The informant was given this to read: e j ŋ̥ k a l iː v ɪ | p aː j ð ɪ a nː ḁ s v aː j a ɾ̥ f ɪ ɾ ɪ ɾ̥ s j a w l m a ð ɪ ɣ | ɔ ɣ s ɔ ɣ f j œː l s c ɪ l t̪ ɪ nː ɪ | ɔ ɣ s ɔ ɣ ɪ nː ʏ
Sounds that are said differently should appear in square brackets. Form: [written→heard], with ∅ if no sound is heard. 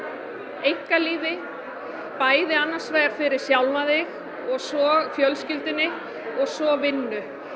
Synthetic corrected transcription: e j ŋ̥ k a l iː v ɪ | p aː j ð ɪ a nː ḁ s v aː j a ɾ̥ f ɪ ɾ ɪ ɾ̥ s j a w l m a ð ɪ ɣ | ɔ ɣ s ɔ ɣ f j [œː→œ] l s c ɪ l t̪ ɪ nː ɪ | ɔ ɣ s ɔ [ɣ→v] ɪ nː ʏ